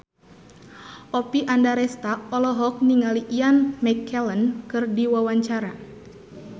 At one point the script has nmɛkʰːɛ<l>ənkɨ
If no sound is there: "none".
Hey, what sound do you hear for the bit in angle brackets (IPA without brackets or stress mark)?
l